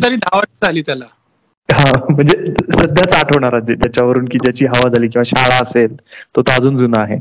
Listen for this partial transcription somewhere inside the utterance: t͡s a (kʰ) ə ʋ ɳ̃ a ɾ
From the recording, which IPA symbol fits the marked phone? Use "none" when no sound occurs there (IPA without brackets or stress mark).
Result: ʈʰ